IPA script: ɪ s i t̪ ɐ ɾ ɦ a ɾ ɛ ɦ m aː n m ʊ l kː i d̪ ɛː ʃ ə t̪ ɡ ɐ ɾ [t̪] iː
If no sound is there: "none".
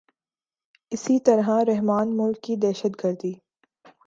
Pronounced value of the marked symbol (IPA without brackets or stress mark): d̪